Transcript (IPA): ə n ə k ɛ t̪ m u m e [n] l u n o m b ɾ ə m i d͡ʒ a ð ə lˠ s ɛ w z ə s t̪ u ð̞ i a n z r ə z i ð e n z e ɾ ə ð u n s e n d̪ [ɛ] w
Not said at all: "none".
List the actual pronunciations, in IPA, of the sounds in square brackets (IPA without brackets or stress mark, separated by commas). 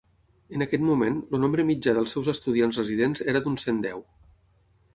n, ɛ